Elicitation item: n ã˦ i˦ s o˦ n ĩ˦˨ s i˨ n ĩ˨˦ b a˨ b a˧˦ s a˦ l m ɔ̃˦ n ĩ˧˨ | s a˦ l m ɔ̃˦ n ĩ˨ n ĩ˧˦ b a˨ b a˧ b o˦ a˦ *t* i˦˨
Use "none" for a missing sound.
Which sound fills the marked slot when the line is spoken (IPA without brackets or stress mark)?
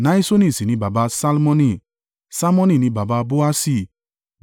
s